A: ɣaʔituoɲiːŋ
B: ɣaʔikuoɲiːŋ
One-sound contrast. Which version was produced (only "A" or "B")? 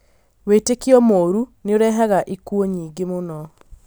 B